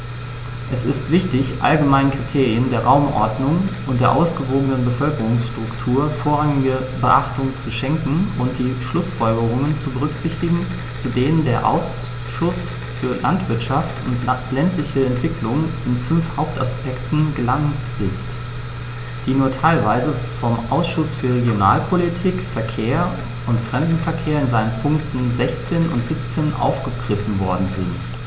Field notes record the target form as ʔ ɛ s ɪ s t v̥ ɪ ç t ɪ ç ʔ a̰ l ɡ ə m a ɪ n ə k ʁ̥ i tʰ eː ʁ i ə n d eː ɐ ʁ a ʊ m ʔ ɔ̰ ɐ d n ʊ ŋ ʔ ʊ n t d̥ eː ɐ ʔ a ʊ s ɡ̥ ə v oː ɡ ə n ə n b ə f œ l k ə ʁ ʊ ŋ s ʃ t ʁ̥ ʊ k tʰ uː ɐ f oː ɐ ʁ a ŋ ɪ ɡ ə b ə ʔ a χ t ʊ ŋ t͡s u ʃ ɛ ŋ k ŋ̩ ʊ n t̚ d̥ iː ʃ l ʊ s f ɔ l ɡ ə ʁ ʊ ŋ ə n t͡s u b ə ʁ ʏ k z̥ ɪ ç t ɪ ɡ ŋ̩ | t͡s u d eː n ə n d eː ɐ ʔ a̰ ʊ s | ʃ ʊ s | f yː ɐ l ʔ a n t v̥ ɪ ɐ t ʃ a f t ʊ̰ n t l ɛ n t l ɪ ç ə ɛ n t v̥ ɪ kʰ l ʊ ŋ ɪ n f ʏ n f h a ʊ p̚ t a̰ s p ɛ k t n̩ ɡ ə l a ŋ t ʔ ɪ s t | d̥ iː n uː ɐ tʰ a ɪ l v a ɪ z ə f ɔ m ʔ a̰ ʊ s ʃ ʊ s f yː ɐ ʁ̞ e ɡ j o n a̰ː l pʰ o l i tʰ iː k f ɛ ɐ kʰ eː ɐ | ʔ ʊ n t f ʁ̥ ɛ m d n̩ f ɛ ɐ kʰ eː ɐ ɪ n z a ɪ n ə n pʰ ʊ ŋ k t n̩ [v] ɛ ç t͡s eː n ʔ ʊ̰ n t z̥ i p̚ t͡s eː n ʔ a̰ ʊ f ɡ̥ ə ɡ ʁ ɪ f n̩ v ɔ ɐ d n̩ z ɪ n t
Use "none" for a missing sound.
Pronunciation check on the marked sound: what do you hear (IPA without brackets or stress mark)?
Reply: z